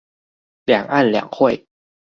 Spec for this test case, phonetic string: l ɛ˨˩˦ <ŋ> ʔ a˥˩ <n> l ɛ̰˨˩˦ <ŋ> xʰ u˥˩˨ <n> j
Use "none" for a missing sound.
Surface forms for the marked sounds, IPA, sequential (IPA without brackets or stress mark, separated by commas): ŋ, n, ŋ, none